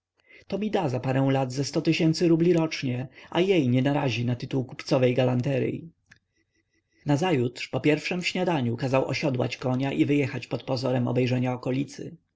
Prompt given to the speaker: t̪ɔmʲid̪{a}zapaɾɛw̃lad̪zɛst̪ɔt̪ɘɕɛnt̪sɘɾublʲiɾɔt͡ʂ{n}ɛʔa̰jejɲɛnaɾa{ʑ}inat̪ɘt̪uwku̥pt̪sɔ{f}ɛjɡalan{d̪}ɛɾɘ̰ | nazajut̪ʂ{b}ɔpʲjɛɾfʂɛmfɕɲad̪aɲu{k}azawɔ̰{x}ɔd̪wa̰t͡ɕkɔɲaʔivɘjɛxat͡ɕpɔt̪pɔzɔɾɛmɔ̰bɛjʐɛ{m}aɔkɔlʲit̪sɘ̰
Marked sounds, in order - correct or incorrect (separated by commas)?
correct, incorrect, correct, incorrect, incorrect, incorrect, correct, incorrect, incorrect